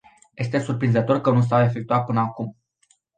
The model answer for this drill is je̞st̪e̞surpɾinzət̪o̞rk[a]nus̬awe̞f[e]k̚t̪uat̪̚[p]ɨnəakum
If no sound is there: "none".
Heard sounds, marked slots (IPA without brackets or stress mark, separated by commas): ə, e, p